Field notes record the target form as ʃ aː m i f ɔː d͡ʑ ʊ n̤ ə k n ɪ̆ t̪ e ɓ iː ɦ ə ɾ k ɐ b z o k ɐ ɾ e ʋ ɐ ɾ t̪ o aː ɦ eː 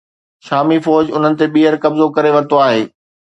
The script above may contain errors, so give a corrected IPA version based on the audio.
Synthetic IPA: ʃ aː m i f ɔː d͡ʑ ʊ n̤ ə n ɪ̆ t̪ e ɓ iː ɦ ə ɾ k ɐ b z o k ɐ ɾ e ʋ ɐ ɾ t̪ o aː ɦ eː